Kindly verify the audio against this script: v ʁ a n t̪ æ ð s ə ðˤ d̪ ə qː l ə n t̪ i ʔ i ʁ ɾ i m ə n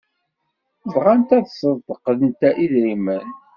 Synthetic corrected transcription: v ʁ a n t̪ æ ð s ə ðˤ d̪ ə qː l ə n t̪ æ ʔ i ð ɾ i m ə n